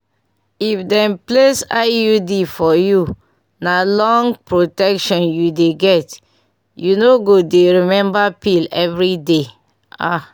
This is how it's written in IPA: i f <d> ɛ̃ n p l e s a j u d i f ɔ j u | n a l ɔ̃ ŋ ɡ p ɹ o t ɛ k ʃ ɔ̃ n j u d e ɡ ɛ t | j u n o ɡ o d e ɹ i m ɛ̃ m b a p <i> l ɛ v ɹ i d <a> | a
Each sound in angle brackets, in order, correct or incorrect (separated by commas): correct, correct, incorrect